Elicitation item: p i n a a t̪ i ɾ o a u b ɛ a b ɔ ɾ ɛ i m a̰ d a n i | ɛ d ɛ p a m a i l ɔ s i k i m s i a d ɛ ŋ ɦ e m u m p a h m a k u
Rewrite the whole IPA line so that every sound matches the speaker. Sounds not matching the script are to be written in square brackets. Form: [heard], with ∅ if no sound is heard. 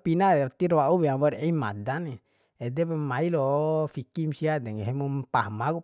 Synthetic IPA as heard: p i n a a t̪ i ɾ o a u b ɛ a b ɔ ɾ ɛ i m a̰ d a n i | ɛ d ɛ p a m a i l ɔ [f] i k i m s i a d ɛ ŋ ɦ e m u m p a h m a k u